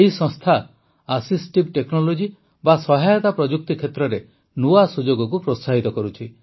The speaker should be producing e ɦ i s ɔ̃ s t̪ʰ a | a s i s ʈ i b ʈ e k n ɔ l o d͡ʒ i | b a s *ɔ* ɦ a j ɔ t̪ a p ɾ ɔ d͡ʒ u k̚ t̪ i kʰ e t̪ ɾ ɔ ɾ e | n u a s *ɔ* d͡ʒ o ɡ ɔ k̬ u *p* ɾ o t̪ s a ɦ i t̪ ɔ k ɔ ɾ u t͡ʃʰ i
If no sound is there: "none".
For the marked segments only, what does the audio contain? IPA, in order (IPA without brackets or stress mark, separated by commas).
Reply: ɔ, u, p